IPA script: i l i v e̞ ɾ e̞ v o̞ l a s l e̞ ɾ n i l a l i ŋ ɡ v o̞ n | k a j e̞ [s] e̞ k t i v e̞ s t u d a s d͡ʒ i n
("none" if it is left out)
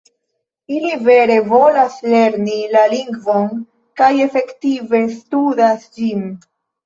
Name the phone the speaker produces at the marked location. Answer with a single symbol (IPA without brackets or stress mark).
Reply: f